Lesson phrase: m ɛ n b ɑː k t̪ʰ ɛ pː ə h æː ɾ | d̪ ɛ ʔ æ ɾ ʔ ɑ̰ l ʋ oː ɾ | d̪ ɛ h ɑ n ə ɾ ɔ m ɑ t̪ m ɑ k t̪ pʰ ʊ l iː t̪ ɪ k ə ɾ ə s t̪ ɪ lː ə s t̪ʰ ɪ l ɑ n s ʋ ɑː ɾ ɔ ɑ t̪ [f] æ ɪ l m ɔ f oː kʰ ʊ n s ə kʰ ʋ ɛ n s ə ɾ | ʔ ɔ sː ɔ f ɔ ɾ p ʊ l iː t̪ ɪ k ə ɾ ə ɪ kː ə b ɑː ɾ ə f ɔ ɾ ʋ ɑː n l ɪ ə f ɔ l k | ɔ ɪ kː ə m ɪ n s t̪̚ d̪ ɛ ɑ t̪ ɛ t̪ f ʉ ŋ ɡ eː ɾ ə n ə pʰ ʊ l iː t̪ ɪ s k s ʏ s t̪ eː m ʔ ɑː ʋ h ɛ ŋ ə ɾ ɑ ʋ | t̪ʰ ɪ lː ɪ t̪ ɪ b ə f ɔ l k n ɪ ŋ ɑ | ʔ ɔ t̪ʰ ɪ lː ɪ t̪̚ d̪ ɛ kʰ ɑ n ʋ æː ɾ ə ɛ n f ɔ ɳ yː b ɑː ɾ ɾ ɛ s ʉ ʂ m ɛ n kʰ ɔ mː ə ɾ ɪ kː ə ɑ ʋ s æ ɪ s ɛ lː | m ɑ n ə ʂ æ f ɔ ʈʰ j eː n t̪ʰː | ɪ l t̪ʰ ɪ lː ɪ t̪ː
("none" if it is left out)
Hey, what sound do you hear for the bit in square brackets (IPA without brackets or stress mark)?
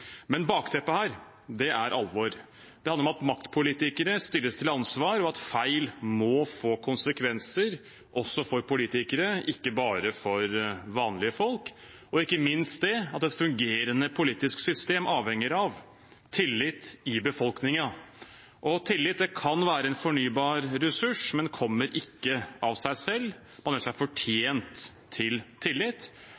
f